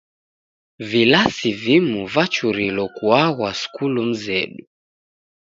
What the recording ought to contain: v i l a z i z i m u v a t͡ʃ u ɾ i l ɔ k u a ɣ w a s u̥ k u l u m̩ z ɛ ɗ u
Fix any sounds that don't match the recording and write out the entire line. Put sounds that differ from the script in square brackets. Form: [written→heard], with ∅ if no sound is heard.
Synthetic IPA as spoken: v i l a [z→s] i [z→v] i m u v a t͡ʃ u ɾ i l ɔ k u a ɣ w a s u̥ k u l u m̩ z ɛ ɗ u